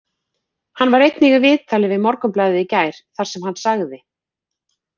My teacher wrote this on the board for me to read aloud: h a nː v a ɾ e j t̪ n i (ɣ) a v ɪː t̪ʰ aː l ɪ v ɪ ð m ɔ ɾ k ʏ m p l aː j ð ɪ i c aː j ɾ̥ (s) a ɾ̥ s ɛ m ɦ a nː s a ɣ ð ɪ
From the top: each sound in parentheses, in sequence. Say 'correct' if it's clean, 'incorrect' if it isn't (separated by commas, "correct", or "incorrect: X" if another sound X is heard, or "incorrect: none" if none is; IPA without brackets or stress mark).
correct, incorrect: θ